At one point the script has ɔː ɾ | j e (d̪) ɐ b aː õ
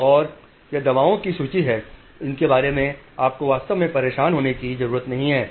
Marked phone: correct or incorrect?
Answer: correct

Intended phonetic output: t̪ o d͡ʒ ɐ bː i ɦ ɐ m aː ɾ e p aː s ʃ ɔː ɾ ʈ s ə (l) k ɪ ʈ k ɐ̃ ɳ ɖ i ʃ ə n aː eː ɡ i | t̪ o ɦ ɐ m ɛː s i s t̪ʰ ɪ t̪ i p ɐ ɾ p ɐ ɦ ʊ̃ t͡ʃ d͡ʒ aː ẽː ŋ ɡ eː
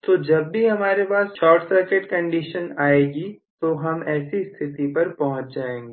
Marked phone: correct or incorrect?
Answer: incorrect: ɾ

